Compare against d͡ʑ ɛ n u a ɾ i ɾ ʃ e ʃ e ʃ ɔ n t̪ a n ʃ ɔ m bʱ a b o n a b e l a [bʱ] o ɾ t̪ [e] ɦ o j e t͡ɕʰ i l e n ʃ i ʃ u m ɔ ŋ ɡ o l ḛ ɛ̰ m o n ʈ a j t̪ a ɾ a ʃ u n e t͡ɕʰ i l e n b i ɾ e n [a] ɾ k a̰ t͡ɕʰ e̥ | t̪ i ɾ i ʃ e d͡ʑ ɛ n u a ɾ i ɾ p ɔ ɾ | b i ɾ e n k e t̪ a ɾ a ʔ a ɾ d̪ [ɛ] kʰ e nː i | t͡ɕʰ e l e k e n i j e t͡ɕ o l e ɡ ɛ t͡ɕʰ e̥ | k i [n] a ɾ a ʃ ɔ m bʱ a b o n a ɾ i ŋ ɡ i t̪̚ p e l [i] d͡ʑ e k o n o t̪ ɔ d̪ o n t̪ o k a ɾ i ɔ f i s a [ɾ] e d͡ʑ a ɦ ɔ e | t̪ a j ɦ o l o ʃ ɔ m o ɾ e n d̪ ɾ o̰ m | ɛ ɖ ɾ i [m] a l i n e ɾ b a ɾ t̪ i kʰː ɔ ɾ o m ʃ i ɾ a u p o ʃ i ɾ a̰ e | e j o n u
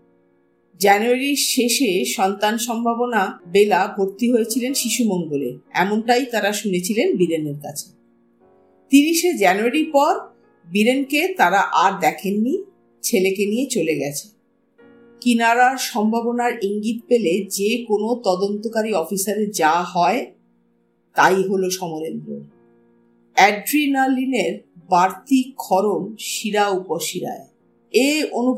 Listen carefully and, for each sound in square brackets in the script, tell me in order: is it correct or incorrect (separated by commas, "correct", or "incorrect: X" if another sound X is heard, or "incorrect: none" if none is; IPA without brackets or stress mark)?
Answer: correct, incorrect: i, incorrect: e, correct, correct, incorrect: e, correct, incorrect: n